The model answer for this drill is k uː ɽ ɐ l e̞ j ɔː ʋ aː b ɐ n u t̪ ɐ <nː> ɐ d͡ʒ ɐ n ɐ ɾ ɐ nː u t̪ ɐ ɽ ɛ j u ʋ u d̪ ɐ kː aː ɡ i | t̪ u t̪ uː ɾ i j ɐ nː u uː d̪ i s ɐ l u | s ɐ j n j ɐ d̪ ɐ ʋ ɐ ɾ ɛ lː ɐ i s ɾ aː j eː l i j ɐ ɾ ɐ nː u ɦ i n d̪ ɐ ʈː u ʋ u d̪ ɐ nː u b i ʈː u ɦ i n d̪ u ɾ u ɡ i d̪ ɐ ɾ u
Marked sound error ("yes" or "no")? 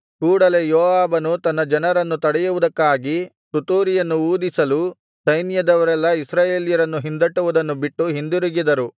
no